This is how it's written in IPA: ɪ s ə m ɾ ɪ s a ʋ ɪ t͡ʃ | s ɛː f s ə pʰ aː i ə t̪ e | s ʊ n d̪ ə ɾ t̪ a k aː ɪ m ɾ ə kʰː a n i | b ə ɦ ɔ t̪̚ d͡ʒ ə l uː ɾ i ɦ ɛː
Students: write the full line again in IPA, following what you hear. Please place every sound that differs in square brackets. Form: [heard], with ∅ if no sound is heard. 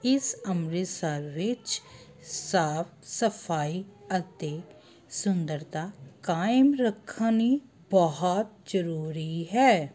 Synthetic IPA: ɪ s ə m ɾ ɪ s a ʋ ɪ t͡ʃ | s [aː] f s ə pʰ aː i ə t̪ e | s ʊ n d̪ ə ɾ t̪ a k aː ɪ m ɾ ə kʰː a n i | b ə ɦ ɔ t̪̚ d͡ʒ ə [ɾ] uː ɾ i ɦ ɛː